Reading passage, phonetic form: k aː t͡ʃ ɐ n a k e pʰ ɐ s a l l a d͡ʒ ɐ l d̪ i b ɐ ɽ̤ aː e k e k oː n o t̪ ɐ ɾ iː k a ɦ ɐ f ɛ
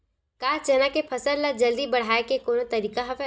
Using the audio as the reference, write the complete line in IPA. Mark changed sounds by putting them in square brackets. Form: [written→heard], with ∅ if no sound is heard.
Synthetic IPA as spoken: k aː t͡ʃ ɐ n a k e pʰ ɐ s [a→ə] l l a d͡ʒ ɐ l d̪ i b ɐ ɽ̤ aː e k e k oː n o t̪ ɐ ɾ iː k a ɦ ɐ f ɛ